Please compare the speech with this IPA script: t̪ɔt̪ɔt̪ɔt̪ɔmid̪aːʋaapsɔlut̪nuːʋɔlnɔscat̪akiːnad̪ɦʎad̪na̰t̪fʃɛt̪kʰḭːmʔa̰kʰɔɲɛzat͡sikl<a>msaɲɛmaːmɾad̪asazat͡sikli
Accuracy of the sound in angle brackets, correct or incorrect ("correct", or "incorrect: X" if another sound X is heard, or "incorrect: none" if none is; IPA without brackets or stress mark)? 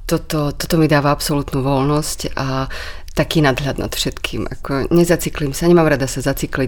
incorrect: i